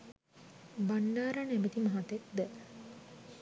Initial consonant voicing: voiced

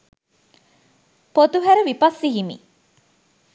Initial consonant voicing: voiceless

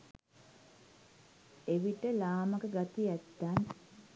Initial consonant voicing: voiced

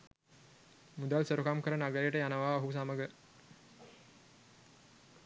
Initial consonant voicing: voiced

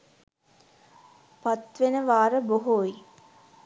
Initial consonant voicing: voiceless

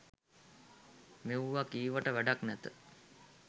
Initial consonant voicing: voiced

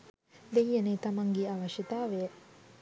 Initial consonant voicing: voiced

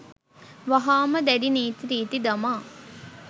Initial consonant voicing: voiced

